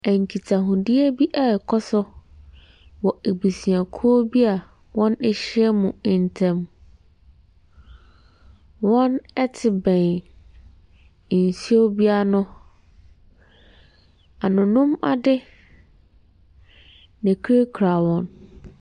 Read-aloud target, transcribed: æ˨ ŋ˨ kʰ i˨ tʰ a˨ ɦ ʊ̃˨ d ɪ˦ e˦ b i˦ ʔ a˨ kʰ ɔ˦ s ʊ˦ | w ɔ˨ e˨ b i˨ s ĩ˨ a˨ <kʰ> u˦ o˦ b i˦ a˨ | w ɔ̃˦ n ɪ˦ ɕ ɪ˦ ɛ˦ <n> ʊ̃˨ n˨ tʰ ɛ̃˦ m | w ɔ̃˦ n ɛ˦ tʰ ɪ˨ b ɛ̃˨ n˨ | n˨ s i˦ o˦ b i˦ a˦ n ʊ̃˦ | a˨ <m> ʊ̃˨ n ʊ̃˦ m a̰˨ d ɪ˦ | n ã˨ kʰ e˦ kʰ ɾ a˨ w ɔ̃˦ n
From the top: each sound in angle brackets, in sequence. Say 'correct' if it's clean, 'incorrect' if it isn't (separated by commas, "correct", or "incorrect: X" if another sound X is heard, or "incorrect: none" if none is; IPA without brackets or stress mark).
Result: correct, incorrect: m, incorrect: n